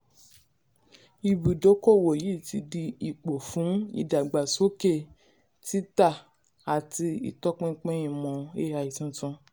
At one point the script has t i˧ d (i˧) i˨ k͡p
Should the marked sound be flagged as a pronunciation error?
no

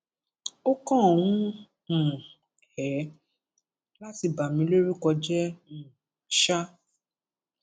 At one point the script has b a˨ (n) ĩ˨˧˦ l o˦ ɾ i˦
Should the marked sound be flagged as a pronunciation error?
yes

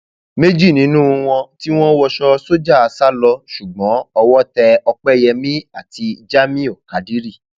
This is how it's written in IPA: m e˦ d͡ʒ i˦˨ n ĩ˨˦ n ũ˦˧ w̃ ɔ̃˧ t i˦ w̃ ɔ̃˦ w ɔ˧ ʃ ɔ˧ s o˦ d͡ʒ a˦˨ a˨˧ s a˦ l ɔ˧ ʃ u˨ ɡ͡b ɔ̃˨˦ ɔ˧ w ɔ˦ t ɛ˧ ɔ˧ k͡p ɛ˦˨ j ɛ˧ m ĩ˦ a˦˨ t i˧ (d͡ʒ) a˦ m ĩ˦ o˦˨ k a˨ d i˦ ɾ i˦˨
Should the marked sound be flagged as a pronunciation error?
no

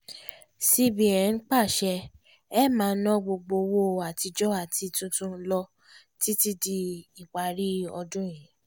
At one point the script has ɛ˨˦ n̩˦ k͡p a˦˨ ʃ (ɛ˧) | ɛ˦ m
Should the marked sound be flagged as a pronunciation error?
no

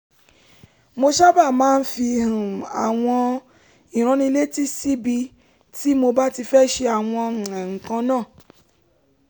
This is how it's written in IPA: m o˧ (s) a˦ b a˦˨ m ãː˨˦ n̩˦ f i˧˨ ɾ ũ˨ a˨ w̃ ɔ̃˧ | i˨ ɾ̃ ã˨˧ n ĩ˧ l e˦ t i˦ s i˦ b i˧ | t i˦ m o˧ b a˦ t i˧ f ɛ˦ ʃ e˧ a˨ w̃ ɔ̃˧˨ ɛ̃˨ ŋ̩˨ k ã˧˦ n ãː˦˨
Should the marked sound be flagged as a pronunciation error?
yes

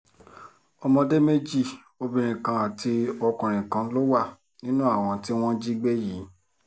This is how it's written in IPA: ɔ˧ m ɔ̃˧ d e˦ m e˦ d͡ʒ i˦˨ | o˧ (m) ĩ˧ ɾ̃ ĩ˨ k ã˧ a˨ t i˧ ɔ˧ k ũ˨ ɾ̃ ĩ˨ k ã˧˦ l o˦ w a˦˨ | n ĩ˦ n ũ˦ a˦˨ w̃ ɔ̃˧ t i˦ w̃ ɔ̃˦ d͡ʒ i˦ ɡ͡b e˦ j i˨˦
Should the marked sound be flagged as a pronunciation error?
yes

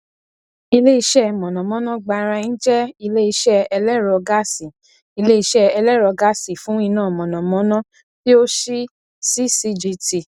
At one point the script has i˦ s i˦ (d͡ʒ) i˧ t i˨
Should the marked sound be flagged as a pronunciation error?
no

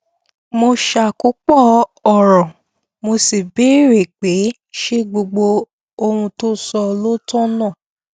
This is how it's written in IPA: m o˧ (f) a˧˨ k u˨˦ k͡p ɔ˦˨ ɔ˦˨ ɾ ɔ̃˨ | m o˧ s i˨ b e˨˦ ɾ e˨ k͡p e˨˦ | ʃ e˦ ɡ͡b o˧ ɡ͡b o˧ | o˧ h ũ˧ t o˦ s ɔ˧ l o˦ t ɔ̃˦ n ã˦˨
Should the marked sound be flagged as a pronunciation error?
yes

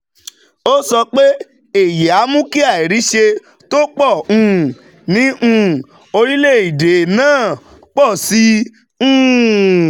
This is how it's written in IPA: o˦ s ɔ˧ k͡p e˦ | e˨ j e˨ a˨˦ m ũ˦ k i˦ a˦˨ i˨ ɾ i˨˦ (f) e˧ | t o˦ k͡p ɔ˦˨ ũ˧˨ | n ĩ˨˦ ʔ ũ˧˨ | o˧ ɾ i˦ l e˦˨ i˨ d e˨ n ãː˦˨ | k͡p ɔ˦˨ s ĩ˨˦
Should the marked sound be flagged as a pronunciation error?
yes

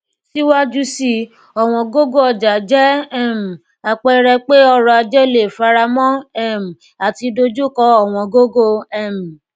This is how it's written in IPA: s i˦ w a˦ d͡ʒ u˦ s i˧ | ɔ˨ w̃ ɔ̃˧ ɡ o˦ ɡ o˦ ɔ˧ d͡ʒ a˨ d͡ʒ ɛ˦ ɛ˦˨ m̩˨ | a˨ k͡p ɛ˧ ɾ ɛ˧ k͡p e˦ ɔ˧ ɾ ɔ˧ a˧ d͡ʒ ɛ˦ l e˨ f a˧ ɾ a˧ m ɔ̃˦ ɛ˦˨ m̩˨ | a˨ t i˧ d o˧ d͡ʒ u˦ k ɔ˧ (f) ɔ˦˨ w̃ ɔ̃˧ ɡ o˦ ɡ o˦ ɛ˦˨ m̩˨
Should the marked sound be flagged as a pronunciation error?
yes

